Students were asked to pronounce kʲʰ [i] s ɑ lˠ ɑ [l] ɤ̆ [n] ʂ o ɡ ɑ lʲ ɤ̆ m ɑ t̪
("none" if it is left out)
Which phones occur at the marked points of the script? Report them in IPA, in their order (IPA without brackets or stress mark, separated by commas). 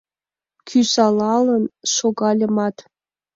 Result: y, l, n